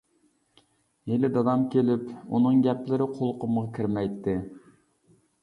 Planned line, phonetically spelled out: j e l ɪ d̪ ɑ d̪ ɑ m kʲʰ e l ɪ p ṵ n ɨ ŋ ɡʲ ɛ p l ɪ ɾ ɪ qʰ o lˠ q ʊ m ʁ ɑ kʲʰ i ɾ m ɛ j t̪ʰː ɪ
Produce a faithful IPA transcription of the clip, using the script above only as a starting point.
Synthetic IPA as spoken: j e l ɪ d̪ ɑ d̪ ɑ m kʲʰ e l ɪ p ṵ n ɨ ŋ ɡʲ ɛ p l ɪ ɾ ɪ qʰ o lˠ q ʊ m ʁ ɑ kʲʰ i ɾ m ɛ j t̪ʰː ɪ